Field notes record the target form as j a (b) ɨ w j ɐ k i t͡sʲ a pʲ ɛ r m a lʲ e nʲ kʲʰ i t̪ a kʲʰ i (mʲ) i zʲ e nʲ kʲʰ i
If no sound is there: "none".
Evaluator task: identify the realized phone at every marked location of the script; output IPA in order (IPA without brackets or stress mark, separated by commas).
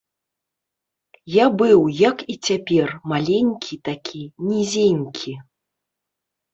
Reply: b, nʲ